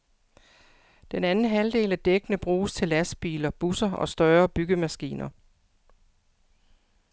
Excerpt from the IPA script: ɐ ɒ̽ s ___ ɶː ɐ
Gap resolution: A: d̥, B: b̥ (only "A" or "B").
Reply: A